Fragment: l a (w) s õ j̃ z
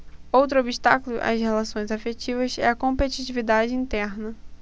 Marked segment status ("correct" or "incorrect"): incorrect